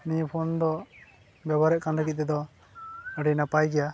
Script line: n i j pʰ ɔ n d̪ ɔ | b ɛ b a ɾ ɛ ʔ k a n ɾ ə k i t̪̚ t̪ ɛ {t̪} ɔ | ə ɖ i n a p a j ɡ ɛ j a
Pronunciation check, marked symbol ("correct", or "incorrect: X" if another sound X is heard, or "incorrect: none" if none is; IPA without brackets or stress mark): incorrect: d̪